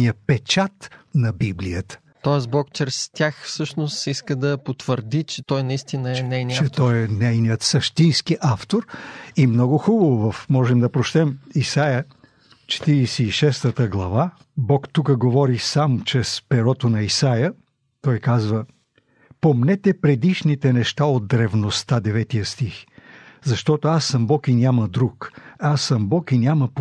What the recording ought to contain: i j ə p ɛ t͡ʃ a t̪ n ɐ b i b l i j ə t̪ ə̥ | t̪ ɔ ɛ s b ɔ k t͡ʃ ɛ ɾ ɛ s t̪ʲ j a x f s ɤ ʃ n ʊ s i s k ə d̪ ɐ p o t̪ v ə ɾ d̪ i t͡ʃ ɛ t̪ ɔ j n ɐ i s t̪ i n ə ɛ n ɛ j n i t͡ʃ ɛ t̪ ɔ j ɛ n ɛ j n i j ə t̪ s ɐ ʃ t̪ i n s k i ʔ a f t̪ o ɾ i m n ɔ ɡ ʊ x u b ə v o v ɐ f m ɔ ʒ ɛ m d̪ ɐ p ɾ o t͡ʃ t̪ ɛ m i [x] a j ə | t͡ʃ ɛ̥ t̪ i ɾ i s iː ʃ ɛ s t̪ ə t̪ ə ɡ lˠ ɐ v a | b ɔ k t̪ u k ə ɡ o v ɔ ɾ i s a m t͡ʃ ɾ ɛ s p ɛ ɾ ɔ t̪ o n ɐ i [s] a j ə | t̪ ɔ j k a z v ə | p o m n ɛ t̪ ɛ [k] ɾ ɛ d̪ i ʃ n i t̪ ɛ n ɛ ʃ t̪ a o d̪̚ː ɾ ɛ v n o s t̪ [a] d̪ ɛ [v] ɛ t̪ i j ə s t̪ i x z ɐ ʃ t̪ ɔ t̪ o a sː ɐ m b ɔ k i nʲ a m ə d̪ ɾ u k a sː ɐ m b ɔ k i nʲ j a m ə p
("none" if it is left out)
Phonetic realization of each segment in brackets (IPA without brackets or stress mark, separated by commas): s, s, p, a, v